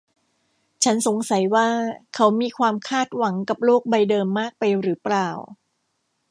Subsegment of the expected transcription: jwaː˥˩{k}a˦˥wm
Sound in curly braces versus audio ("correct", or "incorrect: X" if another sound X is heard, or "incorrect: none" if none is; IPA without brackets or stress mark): incorrect: kʰ